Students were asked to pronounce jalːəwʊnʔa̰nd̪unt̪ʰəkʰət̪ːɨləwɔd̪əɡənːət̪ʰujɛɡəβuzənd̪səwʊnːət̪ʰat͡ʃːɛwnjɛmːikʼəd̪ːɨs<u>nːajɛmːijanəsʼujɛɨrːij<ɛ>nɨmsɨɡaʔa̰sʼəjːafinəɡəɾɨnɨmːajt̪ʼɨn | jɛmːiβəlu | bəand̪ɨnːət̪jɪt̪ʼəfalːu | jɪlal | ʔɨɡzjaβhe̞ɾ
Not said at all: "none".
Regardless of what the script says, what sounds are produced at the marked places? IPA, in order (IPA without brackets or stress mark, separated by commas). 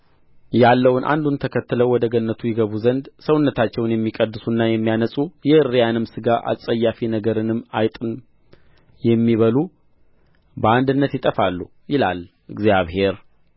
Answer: u, a